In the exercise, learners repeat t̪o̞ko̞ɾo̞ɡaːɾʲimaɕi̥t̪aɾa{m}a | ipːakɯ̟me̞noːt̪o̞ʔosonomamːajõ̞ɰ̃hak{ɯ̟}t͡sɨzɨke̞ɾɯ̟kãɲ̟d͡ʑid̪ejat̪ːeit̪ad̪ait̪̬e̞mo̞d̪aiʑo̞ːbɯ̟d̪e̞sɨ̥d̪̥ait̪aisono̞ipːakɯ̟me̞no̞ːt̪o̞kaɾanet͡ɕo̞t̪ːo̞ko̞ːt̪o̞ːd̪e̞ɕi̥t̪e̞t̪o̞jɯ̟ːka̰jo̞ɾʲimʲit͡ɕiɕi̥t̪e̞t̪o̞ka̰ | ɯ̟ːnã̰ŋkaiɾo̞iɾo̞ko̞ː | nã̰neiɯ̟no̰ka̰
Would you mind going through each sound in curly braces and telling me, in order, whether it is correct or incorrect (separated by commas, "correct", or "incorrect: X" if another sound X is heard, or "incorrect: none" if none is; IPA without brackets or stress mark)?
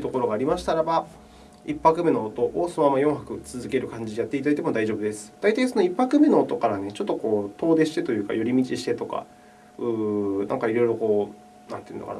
incorrect: b, correct